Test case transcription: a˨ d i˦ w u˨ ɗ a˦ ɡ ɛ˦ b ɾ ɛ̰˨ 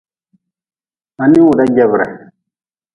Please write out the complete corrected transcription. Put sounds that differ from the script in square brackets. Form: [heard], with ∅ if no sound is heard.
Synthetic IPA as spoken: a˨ [n] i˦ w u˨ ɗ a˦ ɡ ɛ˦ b ɾ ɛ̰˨